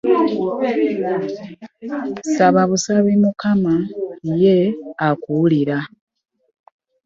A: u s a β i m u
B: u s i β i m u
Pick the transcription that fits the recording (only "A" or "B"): A